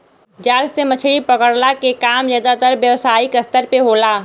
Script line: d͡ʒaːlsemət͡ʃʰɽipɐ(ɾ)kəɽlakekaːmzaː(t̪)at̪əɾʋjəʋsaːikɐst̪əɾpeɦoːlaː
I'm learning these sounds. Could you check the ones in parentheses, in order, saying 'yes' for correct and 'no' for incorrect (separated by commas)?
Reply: no, no